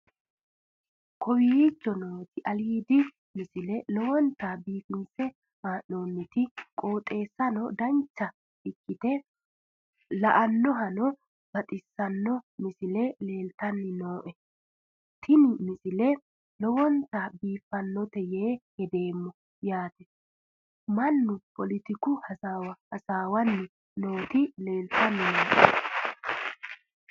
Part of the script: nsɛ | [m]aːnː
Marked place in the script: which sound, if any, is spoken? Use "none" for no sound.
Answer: m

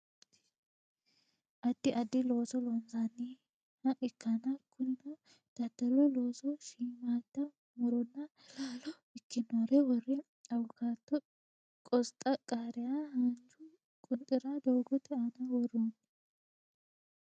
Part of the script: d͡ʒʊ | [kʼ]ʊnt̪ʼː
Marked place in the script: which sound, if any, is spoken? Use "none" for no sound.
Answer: kʼ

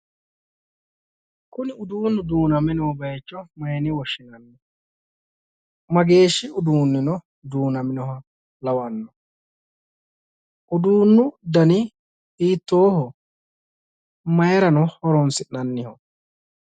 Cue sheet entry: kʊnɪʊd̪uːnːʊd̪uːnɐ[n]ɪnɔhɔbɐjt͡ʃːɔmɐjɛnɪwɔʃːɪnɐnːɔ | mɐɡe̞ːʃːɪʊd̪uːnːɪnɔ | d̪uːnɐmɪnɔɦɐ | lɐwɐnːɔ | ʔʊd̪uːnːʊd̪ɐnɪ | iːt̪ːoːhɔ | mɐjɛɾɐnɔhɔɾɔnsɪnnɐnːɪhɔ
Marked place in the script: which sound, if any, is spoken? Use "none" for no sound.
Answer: m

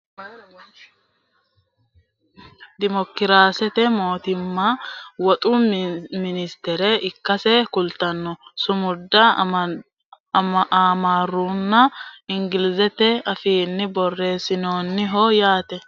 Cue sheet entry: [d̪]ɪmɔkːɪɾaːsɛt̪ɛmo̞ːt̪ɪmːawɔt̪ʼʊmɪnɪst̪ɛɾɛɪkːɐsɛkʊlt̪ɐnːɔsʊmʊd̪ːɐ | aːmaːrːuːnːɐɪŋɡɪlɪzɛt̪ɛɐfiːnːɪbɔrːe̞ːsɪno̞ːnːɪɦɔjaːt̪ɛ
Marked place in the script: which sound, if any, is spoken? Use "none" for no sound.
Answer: d̪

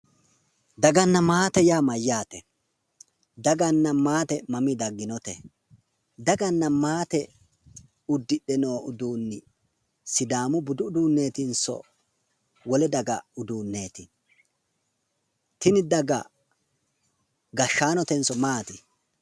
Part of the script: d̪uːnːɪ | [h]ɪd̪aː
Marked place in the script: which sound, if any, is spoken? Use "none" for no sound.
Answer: s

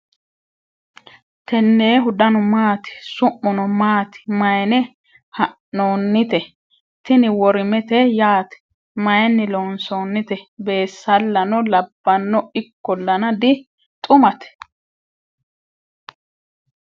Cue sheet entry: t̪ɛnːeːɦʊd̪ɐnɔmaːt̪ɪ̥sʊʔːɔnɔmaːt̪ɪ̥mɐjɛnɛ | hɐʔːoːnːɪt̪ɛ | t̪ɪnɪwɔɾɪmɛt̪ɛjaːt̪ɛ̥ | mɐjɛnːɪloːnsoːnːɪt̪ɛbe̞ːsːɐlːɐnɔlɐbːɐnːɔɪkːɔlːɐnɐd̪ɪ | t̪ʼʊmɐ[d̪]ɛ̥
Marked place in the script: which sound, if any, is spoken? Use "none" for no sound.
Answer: t̪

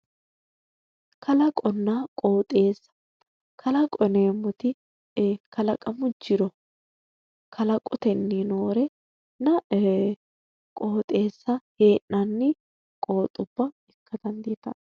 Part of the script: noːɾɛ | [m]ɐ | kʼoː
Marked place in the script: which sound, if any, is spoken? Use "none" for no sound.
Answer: n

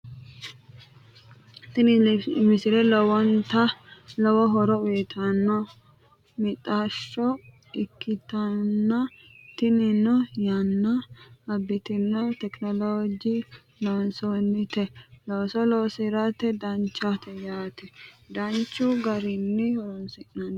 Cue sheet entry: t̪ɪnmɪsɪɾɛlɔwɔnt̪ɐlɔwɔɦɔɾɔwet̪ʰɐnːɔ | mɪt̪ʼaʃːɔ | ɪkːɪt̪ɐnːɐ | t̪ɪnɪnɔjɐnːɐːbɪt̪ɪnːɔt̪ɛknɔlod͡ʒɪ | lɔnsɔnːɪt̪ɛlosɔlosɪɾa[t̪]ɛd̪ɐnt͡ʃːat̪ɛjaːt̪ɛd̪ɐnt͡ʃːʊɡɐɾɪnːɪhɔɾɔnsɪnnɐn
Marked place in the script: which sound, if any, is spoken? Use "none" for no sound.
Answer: t̪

